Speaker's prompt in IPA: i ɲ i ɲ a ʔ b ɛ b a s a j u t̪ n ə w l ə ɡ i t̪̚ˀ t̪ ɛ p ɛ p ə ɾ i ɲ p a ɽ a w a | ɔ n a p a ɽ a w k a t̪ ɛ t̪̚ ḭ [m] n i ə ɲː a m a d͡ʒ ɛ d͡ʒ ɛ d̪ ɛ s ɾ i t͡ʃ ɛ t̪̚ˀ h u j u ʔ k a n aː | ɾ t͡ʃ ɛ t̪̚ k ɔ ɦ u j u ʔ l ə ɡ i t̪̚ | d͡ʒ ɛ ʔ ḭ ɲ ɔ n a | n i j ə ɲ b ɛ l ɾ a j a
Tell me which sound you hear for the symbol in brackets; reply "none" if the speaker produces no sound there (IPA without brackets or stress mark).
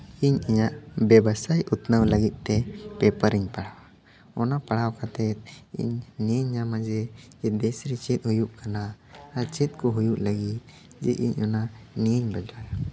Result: ɲ